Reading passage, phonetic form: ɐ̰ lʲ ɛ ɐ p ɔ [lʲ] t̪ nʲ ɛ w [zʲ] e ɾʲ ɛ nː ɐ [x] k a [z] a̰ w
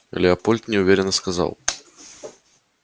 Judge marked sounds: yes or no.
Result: yes, no, no, yes

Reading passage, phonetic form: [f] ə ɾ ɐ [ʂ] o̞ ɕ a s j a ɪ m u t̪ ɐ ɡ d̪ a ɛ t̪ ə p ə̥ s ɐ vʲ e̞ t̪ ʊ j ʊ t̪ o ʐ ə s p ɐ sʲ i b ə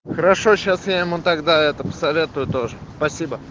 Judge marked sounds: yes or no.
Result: no, yes

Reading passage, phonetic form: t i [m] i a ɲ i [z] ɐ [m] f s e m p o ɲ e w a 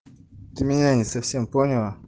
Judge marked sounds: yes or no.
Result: yes, no, no

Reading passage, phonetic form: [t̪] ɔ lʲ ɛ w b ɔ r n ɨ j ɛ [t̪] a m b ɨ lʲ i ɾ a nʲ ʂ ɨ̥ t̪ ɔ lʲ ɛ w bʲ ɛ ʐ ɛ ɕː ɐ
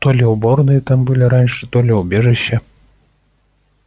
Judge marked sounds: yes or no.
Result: yes, yes

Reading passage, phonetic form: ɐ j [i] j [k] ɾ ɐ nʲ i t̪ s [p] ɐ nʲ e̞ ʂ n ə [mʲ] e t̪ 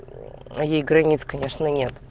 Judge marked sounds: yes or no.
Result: no, no, no, no

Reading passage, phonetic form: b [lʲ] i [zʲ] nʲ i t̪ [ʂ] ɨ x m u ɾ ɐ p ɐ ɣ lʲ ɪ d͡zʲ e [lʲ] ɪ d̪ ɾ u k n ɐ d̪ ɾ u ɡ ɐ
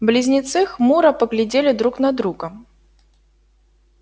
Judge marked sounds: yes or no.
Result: yes, yes, no, yes

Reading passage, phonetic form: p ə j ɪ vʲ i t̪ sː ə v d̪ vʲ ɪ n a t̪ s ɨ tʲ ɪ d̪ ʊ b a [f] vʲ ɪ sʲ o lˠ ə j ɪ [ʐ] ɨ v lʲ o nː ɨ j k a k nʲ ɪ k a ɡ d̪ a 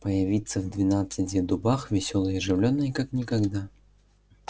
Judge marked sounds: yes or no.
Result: no, yes

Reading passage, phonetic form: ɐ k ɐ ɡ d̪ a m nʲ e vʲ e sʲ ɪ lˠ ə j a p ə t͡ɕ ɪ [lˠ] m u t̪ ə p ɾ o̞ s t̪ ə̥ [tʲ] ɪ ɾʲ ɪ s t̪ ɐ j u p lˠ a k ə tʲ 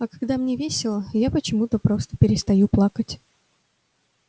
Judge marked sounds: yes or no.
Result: no, no

